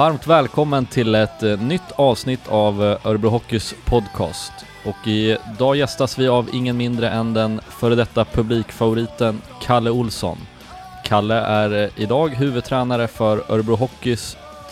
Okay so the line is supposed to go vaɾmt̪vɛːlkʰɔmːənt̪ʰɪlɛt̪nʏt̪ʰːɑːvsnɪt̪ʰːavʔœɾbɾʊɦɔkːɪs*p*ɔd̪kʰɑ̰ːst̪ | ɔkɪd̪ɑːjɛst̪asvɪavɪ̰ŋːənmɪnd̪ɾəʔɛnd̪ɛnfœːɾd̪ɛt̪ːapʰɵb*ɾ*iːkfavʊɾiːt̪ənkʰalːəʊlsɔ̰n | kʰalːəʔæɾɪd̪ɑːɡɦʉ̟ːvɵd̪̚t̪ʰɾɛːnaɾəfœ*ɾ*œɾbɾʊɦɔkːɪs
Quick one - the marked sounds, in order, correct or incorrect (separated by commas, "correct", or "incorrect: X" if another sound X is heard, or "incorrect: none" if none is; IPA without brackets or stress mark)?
incorrect: pʰ, incorrect: l, correct